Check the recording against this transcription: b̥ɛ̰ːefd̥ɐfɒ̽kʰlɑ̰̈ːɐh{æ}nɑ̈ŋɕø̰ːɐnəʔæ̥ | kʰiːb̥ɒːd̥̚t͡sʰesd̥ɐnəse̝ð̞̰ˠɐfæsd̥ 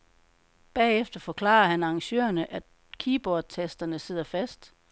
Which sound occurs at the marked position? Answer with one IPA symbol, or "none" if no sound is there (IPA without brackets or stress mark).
æ